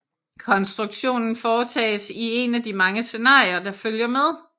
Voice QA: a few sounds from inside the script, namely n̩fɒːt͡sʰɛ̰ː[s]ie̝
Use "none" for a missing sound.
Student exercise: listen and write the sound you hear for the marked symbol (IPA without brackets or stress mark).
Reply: s